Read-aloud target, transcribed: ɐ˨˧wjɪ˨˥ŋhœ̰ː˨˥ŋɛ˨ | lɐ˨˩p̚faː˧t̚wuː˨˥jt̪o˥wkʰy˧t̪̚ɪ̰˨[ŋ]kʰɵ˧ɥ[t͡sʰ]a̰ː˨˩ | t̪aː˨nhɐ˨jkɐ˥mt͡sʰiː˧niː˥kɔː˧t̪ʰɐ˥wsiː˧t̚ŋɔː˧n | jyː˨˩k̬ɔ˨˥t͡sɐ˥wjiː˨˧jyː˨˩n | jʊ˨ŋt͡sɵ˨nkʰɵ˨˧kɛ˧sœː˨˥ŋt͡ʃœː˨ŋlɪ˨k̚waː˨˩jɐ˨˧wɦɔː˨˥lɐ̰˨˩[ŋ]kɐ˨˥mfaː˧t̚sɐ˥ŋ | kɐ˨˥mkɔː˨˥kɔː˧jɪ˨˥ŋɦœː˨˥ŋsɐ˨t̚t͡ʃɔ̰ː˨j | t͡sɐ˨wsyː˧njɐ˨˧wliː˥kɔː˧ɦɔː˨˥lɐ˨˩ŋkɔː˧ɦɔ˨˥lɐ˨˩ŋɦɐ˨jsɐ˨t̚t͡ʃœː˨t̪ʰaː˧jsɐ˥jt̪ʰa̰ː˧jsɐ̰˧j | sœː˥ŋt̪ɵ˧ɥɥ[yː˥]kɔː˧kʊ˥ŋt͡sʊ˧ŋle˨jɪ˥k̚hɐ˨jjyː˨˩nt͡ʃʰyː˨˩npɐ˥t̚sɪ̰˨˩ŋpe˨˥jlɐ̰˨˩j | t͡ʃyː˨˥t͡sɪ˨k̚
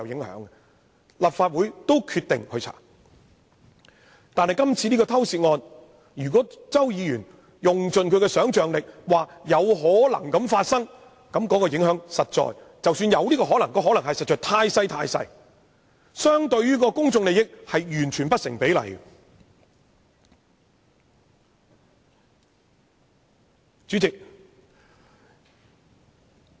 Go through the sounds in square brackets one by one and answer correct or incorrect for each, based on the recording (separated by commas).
correct, correct, correct, correct